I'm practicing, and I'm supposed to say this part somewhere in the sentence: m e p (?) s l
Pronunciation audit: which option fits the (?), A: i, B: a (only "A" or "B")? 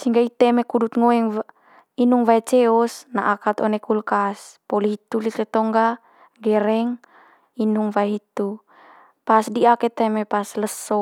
B